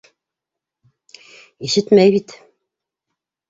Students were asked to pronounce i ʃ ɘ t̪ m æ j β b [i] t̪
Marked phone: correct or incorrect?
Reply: correct